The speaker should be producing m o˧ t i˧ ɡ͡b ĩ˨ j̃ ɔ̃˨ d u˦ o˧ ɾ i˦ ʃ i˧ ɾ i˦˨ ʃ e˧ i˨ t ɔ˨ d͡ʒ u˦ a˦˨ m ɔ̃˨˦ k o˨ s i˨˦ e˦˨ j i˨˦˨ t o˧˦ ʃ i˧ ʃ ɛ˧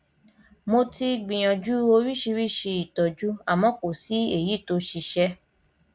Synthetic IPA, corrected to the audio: m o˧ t i˧ ɡ͡b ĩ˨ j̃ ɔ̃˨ d͡ʒ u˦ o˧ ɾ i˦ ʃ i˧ ɾ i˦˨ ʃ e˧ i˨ t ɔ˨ d͡ʒ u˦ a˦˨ m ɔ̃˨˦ k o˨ s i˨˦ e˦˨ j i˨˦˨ t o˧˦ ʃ i˧ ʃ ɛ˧